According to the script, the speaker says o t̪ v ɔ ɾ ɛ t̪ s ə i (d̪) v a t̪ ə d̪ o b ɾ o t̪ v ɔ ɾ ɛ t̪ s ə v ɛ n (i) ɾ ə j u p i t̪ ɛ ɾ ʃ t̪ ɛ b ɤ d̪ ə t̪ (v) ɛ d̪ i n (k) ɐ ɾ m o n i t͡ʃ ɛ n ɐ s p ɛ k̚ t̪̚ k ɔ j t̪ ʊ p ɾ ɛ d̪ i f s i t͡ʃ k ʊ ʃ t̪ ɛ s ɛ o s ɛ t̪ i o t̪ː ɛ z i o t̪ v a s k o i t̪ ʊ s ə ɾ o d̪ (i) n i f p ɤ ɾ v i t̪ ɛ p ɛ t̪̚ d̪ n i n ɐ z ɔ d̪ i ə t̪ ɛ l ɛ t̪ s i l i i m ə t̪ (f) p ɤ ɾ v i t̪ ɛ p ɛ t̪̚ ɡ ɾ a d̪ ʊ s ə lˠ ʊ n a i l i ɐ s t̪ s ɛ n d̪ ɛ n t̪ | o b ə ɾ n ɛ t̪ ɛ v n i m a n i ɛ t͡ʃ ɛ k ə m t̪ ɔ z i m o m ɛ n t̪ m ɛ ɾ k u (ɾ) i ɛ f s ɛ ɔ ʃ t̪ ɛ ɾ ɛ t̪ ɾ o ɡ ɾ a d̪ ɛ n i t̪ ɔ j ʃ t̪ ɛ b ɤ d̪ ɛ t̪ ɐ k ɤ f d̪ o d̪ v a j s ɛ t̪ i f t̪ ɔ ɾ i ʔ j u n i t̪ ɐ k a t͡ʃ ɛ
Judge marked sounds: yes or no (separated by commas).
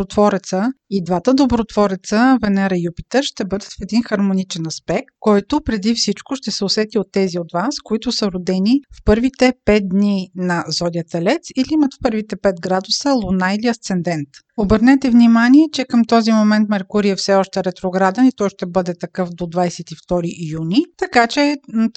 yes, no, no, no, no, yes, yes